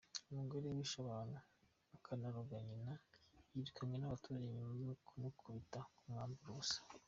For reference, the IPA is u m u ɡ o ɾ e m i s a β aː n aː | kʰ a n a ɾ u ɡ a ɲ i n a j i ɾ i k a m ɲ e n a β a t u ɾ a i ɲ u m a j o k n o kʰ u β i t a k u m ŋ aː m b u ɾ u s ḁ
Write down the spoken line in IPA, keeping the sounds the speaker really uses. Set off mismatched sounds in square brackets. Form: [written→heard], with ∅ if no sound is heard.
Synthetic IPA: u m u ɡ o ɾ e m i [s→ʃ] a β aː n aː | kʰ a n a ɾ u ɡ a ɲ i n a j i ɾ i k a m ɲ e n a β a t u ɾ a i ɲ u m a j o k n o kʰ u β i t a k u m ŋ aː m b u ɾ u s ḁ